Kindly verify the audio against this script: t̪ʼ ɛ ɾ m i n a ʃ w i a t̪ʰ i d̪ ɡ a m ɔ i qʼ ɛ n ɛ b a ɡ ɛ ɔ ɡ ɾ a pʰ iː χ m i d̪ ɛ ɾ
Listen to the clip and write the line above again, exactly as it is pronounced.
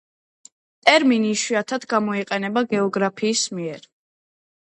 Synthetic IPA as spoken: t̪ʼ ɛ ɾ m i n i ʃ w i a t̪ʰ a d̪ ɡ a m ɔ i qʼ ɛ n ɛ b a ɡ ɛ ɔ ɡ ɾ a pʰ iː s m i ɛ ɾ

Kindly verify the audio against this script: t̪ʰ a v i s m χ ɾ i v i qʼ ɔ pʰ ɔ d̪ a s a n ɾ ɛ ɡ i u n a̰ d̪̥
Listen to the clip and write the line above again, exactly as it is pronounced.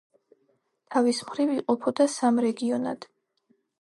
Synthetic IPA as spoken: t̪ʰ a v i s m χ ɾ i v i qʼ ɔ pʰ ɔ d̪ a s a m ɾ ɛ ɡ i ɔ n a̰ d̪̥

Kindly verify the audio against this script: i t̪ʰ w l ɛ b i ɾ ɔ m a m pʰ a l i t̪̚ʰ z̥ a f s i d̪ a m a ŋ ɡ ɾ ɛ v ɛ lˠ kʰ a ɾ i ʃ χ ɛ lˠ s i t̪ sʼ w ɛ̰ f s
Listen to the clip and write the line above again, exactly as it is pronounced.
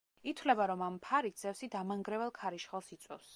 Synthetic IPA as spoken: i t̪ʰ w l ɛ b a ɾ ɔ m a m pʰ a ɾ i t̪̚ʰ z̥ ɛ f s i d̪ a m a ŋ ɡ ɾ ɛ v ɛ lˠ kʰ a ɾ i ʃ χ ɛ lˠ s i t̪ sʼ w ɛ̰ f s

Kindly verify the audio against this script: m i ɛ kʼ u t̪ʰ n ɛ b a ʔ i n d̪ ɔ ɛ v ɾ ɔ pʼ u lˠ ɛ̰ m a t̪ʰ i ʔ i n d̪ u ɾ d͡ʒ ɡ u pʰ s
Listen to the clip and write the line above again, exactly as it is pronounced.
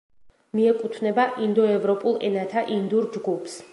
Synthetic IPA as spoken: m i ɛ kʼ u t̪ʰ n ɛ b a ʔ i n d̪ ɔ ɛ v ɾ ɔ pʼ u lˠ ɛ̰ n a t̪ʰ a ʔ i n d̪ u ɾ d͡ʒ ɡ u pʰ s

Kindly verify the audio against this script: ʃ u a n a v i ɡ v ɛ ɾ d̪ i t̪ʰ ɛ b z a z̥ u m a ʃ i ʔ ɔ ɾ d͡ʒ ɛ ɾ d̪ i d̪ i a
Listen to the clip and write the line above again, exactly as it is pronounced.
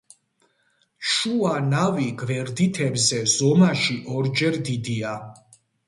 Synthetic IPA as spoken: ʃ u a n a v i ɡ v ɛ ɾ d̪ i t̪ʰ ɛ b z ɛ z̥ ɔ m a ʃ i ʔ ɔ ɾ d͡ʒ ɛ ɾ d̪ i d̪ i a

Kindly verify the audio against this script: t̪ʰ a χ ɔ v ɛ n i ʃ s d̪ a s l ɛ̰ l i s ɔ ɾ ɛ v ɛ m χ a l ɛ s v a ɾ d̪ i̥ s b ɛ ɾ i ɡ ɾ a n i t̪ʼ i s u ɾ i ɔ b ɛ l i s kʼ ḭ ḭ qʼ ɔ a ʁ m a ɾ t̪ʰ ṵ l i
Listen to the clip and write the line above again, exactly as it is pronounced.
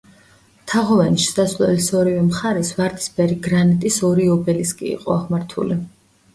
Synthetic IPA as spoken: t̪ʰ a ʁ ɔ v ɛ n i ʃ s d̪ a s l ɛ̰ l i s ɔ ɾ i v ɛ m χ a ɾ ɛ s v a ɾ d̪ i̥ s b ɛ ɾ i ɡ ɾ a n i t̪ʼ i s ɔ ɾ i ɔ b ɛ l i s kʼ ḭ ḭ qʼ ɔ a ʁ m a ɾ t̪ʰ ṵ l i

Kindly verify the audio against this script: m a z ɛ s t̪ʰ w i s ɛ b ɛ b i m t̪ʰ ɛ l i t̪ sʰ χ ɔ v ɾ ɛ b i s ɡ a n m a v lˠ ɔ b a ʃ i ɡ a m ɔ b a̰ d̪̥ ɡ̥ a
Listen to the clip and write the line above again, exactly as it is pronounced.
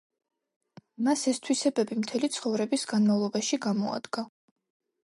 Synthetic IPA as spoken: m a s ɛ s t̪ʰ w i s ɛ b ɛ b i m t̪ʰ ɛ l i t̪ sʰ χ ɔ v ɾ ɛ b i s ɡ a n m a v lˠ ɔ b a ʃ i ɡ a m ɔ a̰ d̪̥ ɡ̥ a

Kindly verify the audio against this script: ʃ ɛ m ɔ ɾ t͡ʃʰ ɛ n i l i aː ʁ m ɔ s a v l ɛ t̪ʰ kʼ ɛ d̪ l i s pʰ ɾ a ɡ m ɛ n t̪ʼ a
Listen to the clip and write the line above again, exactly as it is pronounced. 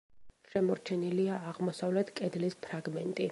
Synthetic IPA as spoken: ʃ ɛ m ɔ ɾ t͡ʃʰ ɛ n i l i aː ʁ m ɔ s a v l ɛ t̪ʰ kʼ ɛ d̪ l i s pʰ ɾ a ɡ m ɛ n t̪ʼ i

